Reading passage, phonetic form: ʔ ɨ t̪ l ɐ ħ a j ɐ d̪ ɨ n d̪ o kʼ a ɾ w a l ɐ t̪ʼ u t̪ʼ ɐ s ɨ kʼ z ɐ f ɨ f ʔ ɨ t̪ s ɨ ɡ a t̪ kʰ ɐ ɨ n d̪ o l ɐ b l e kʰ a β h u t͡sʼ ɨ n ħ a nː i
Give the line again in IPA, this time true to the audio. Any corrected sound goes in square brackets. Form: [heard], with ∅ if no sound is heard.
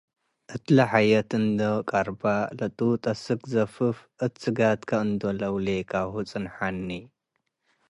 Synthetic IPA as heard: ʔ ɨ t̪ l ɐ ħ a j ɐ [t̪] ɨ n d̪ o kʼ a ɾ [b] a l ɐ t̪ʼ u t̪ʼ ɐ s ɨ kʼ z ɐ f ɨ f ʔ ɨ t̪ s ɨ ɡ a t̪ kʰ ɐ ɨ n d̪ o l ɐ [w] l e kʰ a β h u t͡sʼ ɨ n ħ a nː i

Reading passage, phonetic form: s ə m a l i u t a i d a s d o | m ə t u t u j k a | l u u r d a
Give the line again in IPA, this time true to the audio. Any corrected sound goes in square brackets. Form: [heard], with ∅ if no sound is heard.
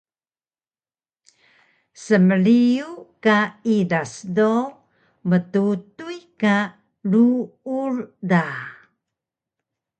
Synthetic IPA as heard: s ə m [ə] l i u [k] a i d a s d o | m ə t u t u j k a | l u u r d a

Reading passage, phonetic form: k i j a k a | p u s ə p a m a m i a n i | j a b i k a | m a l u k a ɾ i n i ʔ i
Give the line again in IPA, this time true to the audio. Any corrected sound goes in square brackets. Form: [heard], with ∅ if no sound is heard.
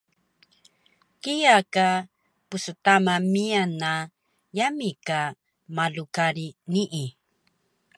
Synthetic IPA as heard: k i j a k a | p u s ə [t] a m a m i a n [a] | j a [m] i k a | m a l u k a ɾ i n i ʔ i

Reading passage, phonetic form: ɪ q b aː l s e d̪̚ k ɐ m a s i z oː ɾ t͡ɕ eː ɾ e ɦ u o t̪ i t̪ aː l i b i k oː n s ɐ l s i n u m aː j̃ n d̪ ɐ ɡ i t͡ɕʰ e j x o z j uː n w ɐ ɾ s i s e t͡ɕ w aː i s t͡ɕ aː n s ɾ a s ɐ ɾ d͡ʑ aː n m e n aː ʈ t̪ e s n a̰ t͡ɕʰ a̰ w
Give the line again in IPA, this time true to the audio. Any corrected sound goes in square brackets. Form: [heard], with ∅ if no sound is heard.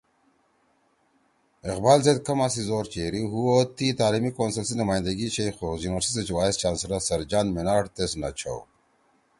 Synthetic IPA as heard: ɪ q b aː l [z] e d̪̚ k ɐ m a s i z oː ɾ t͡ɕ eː ɾ [i] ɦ u o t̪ i t̪ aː l i [m] i k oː n s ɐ l s i n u m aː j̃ n d̪ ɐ ɡ i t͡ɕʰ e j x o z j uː n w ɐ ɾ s i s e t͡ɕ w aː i s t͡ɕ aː n s ɾ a s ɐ ɾ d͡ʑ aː n m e n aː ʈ t̪ e s n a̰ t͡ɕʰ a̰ w

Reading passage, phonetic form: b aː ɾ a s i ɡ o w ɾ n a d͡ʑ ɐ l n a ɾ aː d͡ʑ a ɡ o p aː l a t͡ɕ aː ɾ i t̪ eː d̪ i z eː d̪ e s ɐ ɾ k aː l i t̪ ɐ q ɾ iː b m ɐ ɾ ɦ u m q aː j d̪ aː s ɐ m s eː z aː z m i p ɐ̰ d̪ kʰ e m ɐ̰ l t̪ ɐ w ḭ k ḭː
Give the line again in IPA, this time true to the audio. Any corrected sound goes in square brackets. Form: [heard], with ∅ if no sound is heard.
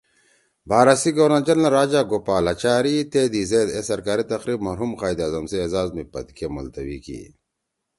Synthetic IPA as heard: b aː ɾ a s i ɡ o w ɾ n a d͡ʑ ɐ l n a ɾ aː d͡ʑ a ɡ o p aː l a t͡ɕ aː ɾ i t̪ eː d̪ i z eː d̪ e s ɐ ɾ k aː [ɾ] i t̪ ɐ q ɾ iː b m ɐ ɾ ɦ u m q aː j d̪ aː [z] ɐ m s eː z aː z m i p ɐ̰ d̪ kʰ e m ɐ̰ l t̪ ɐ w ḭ k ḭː

